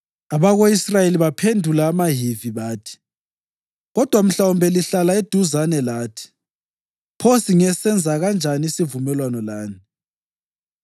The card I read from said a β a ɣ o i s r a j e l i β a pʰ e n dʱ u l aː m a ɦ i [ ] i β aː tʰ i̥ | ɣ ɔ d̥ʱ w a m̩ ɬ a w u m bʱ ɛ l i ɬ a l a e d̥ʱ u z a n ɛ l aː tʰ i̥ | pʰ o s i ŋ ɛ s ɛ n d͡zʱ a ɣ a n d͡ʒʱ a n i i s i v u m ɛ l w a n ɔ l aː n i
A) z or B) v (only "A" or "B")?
B